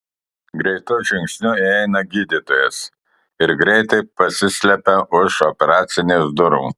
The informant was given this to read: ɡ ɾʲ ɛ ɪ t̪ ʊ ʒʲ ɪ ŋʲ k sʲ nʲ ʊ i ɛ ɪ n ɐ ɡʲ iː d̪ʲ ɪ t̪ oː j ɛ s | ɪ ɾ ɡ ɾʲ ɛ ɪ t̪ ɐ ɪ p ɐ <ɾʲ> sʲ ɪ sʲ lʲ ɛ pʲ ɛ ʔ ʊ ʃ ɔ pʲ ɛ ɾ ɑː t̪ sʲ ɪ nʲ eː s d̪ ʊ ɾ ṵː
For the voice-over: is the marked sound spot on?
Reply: no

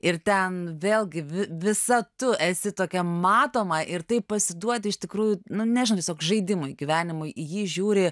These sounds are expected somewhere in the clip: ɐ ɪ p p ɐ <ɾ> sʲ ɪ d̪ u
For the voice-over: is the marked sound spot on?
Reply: no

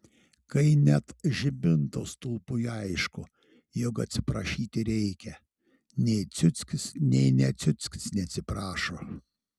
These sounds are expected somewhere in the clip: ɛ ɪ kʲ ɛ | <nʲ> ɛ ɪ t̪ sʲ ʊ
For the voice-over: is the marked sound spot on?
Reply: yes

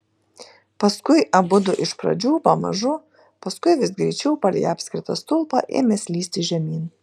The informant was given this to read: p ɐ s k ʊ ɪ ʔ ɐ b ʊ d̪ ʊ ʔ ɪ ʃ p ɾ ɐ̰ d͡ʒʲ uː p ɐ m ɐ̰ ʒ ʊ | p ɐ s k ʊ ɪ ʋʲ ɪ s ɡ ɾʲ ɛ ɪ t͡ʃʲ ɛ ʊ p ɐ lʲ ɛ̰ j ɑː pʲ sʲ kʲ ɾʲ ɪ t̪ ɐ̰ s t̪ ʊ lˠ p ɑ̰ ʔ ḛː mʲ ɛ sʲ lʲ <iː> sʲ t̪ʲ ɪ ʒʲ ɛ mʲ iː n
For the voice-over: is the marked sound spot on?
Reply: yes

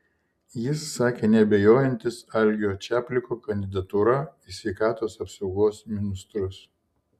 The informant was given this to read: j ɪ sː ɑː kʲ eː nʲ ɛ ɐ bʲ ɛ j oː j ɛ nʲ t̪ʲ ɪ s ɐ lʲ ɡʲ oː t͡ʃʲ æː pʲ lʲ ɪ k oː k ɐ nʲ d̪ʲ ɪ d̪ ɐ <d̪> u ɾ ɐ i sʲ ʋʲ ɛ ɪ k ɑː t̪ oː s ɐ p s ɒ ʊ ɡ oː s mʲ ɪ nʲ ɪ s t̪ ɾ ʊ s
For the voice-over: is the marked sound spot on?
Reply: no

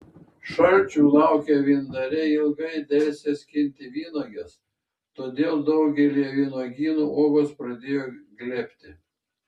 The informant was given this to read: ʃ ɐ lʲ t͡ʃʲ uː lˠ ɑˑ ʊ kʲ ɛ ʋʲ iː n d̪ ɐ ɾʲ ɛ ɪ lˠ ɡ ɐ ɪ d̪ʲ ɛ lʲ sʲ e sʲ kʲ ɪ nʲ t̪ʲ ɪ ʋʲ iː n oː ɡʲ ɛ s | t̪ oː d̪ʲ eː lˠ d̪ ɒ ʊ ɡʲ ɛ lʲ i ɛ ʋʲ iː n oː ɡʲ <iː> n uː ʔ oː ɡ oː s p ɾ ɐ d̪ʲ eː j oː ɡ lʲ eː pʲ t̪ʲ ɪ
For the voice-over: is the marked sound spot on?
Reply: yes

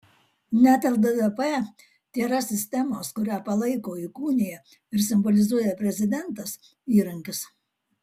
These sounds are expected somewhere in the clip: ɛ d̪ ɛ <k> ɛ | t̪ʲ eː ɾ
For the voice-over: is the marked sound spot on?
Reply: no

